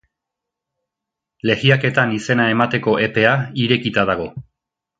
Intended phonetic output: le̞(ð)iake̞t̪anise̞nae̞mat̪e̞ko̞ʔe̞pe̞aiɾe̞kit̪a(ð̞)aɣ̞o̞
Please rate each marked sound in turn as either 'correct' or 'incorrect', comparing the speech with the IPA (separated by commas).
incorrect, correct